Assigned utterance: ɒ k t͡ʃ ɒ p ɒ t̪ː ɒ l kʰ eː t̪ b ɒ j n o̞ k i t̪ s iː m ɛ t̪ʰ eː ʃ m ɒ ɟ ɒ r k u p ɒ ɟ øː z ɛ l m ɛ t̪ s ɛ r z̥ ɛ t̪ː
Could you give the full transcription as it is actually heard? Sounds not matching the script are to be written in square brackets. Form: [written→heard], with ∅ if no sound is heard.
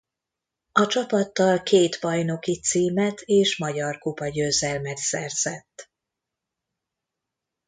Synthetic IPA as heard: ɒ [k→∅] t͡ʃ ɒ p ɒ t̪ː ɒ l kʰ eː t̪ b ɒ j n o̞ k i t̪ s iː m ɛ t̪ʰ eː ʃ m ɒ ɟ ɒ r k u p ɒ ɟ øː z ɛ l m ɛ t̪ s ɛ r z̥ ɛ t̪ː

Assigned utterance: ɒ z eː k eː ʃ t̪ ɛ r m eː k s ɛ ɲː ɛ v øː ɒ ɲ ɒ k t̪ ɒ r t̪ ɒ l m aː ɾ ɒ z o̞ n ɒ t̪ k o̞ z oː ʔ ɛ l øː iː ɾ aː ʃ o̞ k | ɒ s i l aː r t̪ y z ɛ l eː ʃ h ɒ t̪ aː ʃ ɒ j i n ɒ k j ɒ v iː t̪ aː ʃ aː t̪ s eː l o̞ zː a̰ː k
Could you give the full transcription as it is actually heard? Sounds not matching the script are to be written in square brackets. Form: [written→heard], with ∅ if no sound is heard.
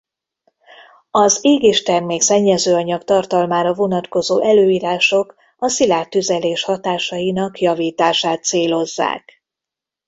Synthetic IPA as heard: ɒ z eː [k→ɡ] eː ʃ t̪ ɛ r m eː k s ɛ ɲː ɛ [v→z] øː ɒ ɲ ɒ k t̪ ɒ r t̪ ɒ l m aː ɾ ɒ [z→v] o̞ n ɒ t̪ k o̞ z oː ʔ ɛ l øː iː ɾ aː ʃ o̞ k | ɒ s i l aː r t̪ y z ɛ l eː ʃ h ɒ t̪ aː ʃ ɒ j i n ɒ k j ɒ v iː t̪ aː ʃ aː t̪ s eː l o̞ zː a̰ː k

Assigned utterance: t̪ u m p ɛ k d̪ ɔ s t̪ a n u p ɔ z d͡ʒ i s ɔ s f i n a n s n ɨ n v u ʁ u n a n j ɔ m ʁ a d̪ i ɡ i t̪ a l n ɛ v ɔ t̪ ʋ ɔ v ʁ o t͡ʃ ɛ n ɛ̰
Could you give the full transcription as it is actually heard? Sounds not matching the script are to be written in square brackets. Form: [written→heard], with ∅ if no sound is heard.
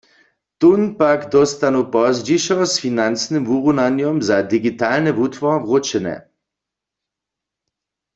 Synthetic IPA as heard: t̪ u [m→n] p [ɛ→a] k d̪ ɔ s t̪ a n u p ɔ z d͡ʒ i [s→ʃ] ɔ s f i n a n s n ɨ [n→m] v u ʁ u n a n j ɔ m [ʁ→z] a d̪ i ɡ i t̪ a l n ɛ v [ɔ→u] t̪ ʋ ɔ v ʁ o t͡ʃ ɛ n ɛ̰

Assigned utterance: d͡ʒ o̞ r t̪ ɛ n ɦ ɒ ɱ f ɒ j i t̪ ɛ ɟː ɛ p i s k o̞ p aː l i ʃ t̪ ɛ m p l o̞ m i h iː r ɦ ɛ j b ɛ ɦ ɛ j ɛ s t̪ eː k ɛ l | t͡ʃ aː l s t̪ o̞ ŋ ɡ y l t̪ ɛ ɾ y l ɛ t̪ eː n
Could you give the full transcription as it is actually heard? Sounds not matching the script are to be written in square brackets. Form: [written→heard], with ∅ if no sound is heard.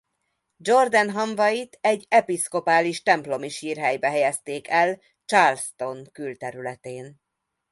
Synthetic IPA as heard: d͡ʒ o̞ r [t̪→d̪] ɛ n ɦ ɒ ɱ [f→v] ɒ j i t̪ ɛ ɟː ɛ p i s k o̞ p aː l i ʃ t̪ ɛ m p l o̞ m i [h→ʃ] iː r ɦ ɛ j b ɛ ɦ ɛ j ɛ s t̪ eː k ɛ l | t͡ʃ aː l s t̪ o̞ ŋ [ɡ→k] y l t̪ ɛ ɾ y l ɛ t̪ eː n

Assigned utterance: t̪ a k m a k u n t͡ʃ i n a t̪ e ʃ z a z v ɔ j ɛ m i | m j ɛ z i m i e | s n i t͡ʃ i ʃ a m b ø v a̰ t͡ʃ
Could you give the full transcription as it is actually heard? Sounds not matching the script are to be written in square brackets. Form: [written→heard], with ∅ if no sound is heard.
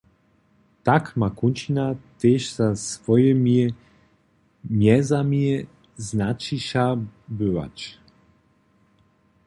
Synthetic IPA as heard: t̪ a k m a k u n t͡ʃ i n a t̪ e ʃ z a [z→s] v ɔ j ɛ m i | m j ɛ z [i→a] m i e | [s→z] n [i→a] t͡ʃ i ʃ a [m→∅] b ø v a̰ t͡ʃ

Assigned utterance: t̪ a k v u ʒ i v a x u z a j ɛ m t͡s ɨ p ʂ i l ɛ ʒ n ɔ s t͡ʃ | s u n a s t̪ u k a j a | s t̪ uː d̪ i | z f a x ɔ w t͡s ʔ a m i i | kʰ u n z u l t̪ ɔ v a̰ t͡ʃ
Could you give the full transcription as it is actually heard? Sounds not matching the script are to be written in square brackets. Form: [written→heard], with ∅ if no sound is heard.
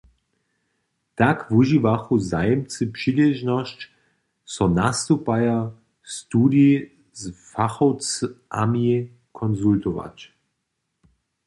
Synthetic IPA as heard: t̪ a k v u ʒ i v a x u z a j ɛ m t͡s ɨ p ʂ i l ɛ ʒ n ɔ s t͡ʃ | s [u→ɔ] n a s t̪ u [k→p] a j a | s t̪ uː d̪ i | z f a x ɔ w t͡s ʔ a m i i | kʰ [u→ɔ] n z u l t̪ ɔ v a̰ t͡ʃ

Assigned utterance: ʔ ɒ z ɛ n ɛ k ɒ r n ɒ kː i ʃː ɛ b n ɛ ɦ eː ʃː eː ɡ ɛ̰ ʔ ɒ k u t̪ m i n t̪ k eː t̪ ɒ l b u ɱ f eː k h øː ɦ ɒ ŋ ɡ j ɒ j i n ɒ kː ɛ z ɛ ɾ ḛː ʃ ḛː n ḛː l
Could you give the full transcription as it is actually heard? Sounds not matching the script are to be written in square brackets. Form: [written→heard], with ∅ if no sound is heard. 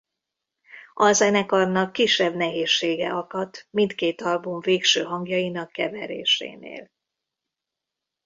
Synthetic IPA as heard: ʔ ɒ z ɛ n ɛ k ɒ r n ɒ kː i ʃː ɛ b n ɛ ɦ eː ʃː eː ɡ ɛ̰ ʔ ɒ k [u→ɒ] t̪ m i n t̪ k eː t̪ ɒ l b u ɱ [f→v] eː k [h→ʃ] øː ɦ ɒ ŋ ɡ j ɒ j i n ɒ kː ɛ [z→v] ɛ ɾ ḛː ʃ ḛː n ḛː l

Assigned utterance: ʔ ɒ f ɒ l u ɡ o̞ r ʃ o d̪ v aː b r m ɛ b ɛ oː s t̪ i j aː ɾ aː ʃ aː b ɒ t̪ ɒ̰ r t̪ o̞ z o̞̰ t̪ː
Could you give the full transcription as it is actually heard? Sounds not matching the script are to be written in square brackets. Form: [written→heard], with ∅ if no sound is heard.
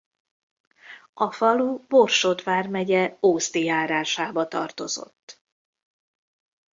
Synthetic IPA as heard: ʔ ɒ f ɒ l u [ɡ→b] o̞ r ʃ o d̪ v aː [b→∅] r m ɛ [b→ɟ] ɛ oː s t̪ i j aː ɾ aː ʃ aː b ɒ t̪ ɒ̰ r t̪ o̞ z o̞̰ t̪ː

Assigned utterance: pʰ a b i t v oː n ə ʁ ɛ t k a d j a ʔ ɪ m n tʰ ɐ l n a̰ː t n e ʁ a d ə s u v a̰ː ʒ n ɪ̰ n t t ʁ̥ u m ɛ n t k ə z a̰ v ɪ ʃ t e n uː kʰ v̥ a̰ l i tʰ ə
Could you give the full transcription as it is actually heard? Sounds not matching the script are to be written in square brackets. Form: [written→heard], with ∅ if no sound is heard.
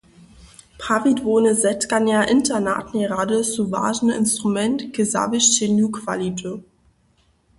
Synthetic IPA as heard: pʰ a [b→v] i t v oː n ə [ʁ→z] ɛ t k a [d→n] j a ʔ ɪ [m→∅] n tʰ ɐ [l→∅] n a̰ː t n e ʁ a d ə s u v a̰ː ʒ n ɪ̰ n [t→s] t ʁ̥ u m ɛ n t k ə z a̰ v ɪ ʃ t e n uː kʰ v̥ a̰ l i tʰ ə

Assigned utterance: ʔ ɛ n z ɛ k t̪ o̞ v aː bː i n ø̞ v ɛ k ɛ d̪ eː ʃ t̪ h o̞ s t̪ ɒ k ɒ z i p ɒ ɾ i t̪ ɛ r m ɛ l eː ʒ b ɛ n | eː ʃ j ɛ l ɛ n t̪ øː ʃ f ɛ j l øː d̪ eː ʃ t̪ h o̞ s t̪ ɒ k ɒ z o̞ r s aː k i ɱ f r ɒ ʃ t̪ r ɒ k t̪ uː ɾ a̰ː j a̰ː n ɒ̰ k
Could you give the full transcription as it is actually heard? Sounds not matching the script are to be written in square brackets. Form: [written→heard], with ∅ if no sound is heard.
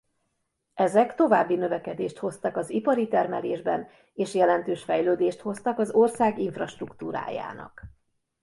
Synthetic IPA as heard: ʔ ɛ [n→∅] z ɛ k t̪ o̞ v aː bː i n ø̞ v ɛ k ɛ d̪ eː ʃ t̪ h o̞ s t̪ ɒ k ɒ z i p ɒ ɾ i t̪ ɛ r m ɛ l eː ʒ b ɛ n | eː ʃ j ɛ l ɛ n t̪ øː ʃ f ɛ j l øː d̪ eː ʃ t̪ h o̞ s t̪ ɒ k ɒ z o̞ r s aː [k→ɡ] i ɱ f r ɒ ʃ t̪ r [ɒ→u] k t̪ uː ɾ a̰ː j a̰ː n ɒ̰ k

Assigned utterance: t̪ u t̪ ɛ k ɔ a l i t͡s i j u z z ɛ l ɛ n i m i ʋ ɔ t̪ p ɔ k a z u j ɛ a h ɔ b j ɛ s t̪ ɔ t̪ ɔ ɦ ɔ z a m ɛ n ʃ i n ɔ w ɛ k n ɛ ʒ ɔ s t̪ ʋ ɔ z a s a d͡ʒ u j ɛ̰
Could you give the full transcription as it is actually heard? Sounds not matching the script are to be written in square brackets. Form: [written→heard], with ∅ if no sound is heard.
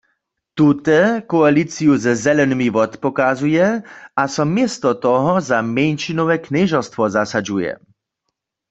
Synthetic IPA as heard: t̪ u t̪ ɛ k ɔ a l i t͡s i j u z z ɛ l ɛ n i m i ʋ ɔ t̪ p ɔ k a z u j ɛ a [h→s] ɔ [b→m] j ɛ s t̪ ɔ t̪ ɔ ɦ ɔ z a m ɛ n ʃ i n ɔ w ɛ k n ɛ ʒ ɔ s t̪ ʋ ɔ z a s a d͡ʒ u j ɛ̰

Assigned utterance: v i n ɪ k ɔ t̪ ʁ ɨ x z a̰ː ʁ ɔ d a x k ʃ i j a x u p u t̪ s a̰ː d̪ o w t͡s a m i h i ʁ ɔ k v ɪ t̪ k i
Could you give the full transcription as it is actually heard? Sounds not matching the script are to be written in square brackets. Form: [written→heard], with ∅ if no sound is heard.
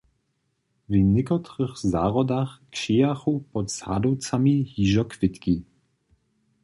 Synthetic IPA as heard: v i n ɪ k ɔ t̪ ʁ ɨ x z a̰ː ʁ ɔ d a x k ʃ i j a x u p [u→ɔ] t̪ s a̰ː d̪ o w t͡s a m i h i [ʁ→ʒ] ɔ k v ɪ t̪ k i

